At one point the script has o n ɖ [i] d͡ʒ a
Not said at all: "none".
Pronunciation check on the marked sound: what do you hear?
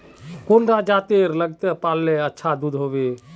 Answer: a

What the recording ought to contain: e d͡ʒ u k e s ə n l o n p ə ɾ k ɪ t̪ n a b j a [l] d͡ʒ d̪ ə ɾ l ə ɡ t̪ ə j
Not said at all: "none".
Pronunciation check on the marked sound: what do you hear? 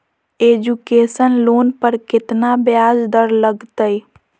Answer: none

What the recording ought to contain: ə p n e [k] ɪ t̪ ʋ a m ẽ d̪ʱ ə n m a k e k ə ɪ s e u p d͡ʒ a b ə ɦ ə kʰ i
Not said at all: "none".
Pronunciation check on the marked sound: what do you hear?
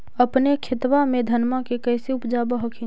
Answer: kʰ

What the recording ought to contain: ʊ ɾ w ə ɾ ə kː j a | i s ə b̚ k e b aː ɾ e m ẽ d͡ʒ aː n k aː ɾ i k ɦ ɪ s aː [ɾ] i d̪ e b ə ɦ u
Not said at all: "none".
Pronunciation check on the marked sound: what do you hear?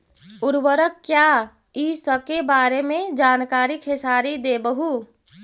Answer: ɾ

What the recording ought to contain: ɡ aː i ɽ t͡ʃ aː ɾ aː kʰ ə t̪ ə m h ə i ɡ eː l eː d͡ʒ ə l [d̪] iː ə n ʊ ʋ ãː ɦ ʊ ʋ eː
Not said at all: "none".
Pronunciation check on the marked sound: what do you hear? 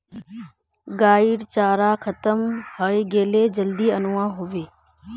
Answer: d̪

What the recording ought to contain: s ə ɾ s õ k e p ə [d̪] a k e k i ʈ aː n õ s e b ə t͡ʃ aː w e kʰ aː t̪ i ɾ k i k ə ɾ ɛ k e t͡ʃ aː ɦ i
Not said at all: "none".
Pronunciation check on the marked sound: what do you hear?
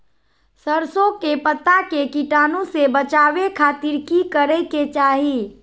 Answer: t̪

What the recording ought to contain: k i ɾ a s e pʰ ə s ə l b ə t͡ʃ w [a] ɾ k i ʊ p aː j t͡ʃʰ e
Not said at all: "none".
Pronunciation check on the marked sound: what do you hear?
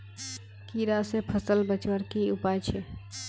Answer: ə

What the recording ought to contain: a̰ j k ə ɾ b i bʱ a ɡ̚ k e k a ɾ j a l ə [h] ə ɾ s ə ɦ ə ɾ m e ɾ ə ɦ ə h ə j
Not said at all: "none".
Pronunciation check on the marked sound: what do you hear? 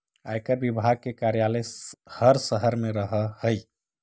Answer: h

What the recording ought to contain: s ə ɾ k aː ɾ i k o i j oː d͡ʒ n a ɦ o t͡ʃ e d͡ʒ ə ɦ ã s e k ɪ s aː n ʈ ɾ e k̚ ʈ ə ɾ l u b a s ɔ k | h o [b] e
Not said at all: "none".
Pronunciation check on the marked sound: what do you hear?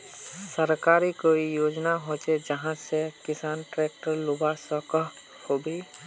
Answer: b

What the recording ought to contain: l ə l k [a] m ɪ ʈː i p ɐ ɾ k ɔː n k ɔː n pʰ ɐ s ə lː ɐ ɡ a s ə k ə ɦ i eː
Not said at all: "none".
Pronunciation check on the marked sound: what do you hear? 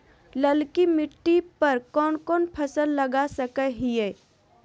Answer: i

